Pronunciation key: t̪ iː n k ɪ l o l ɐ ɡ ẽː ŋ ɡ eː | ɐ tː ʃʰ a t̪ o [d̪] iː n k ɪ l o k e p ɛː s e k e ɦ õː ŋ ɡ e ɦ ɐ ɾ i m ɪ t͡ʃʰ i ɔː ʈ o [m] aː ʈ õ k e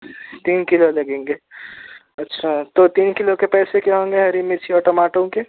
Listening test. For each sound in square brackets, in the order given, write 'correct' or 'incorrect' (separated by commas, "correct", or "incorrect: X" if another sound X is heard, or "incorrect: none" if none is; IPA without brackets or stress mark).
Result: incorrect: t̪, correct